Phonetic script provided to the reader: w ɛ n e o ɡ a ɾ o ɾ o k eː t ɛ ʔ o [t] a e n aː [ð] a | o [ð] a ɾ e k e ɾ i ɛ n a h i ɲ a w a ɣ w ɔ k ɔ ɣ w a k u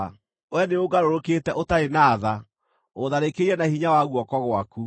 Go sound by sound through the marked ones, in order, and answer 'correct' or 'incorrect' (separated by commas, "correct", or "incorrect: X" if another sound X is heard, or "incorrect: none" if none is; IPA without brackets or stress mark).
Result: correct, correct, correct